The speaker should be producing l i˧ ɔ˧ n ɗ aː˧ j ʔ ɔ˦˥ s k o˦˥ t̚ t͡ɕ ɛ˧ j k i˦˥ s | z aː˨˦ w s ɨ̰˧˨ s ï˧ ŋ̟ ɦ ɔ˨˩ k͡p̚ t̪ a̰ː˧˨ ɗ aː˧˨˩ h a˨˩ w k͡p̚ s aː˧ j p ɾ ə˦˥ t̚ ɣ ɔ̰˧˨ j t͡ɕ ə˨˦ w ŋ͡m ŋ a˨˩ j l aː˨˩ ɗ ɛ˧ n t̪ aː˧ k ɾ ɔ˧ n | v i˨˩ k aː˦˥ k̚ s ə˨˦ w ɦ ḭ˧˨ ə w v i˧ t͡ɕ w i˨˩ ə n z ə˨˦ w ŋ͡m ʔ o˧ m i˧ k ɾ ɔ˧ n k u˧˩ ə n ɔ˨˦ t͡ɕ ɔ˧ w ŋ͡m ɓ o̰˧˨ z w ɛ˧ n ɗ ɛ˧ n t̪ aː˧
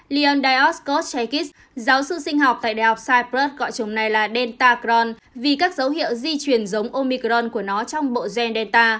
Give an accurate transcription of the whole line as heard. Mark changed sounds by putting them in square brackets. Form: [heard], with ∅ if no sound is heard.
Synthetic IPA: l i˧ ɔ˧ n ɗ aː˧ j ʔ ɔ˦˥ s k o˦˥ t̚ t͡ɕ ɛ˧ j k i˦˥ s | z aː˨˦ w s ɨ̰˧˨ s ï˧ ŋ̟ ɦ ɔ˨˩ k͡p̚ t̪ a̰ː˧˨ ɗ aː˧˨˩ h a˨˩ w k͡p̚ s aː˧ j p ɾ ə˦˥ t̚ ɣ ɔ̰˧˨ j t͡ɕ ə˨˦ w ŋ͡m [n] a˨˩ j l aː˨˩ ɗ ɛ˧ n t̪ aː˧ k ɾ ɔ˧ n | v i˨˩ k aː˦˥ k̚ [z] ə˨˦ w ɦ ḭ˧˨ ə w [z] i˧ t͡ɕ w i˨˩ ə n z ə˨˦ w ŋ͡m ʔ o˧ m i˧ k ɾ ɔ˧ n k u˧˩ ə n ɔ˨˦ t͡ɕ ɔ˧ w ŋ͡m ɓ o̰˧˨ z w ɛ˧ n ɗ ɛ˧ n t̪ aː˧